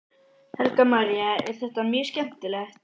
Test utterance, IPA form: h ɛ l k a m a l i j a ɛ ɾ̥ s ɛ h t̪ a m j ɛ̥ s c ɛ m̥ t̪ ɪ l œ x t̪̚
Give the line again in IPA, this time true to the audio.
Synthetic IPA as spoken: h ɛ l k a m a ɾ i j a ɛ ɾ̥ θ ɛ h t̪ a m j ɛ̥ s c ɛ m̥ t̪ ɪ l ɛ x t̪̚